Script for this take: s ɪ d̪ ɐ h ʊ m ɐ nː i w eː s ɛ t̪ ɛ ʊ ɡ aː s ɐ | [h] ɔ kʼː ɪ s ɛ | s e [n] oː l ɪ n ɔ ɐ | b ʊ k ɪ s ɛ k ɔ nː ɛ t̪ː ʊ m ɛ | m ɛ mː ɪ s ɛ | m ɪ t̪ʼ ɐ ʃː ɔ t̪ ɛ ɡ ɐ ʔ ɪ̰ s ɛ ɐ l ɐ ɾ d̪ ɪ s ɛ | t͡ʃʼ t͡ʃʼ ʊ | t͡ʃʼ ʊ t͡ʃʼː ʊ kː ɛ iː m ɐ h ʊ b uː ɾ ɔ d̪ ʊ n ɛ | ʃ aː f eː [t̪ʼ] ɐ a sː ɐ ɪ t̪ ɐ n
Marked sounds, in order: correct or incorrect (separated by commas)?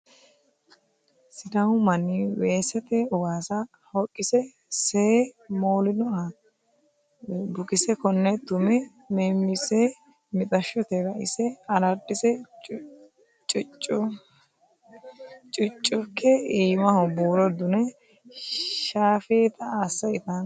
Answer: correct, incorrect, incorrect